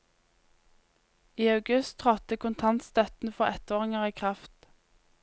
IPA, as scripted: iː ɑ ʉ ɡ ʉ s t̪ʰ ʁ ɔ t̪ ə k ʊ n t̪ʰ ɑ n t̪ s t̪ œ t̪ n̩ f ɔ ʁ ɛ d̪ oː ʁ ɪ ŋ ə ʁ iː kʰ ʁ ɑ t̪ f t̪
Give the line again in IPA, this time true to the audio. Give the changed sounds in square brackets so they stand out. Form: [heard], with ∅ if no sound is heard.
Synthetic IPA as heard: iː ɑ ʉ ɡ ʉ s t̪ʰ ʁ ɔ t̪ ə k ʊ n t̪ʰ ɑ n t̪ s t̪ œ t̪ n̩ f ɔ ʁ ɛ [t̪] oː ʁ ɪ ŋ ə ʁ iː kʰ ʁ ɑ [∅] f t̪